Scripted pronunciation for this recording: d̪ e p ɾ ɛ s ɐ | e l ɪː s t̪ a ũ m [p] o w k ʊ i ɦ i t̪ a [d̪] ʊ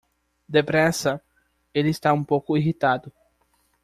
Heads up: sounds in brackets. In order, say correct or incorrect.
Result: correct, correct

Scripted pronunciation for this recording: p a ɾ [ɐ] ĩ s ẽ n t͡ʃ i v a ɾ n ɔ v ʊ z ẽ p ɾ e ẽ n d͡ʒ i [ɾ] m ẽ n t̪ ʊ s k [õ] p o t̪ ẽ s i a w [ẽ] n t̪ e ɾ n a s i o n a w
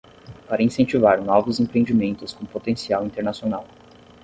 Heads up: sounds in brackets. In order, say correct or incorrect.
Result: correct, incorrect: none, correct, incorrect: ĩ

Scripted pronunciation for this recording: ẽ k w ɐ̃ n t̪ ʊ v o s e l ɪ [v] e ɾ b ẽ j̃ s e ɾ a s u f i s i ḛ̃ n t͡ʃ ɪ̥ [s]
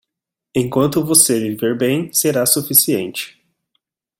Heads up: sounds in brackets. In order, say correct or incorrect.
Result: correct, incorrect: none

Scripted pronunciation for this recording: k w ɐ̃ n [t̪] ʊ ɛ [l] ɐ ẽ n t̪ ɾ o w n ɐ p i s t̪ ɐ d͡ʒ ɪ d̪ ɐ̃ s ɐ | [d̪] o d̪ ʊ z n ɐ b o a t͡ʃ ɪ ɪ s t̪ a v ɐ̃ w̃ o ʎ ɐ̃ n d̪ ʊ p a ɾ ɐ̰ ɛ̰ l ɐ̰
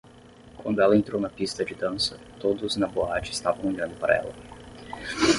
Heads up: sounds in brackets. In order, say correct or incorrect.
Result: incorrect: d̪, correct, incorrect: t̪

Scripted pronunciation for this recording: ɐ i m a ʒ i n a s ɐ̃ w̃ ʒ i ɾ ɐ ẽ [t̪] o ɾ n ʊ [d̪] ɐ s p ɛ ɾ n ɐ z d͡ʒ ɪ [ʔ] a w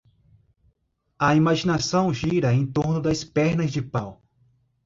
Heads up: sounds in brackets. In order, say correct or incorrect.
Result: correct, correct, incorrect: p

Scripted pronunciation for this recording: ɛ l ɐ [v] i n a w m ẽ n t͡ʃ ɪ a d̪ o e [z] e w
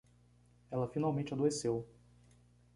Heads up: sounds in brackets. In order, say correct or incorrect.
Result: incorrect: f, incorrect: s

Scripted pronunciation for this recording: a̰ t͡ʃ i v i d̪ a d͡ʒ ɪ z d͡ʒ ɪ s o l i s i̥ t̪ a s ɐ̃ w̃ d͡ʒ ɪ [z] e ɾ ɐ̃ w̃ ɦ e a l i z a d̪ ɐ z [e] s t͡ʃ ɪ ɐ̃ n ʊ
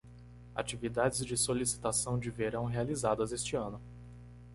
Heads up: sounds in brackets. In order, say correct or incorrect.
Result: incorrect: v, correct

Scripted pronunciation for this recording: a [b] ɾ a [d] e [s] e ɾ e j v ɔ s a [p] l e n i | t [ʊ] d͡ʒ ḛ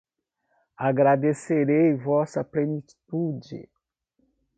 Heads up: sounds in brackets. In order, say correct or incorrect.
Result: incorrect: ɡ, correct, correct, correct, incorrect: u

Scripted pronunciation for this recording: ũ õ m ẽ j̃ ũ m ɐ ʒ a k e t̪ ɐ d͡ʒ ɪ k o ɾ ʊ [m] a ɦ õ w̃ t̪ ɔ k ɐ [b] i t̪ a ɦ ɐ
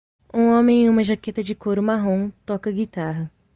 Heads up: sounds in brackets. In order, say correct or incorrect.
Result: correct, incorrect: ɡ

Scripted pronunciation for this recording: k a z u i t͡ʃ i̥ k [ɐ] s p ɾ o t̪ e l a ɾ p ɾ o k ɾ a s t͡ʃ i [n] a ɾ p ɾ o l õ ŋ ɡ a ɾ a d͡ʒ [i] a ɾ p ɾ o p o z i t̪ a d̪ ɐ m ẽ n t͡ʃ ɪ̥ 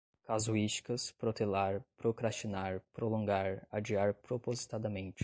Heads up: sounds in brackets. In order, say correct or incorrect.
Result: correct, correct, correct

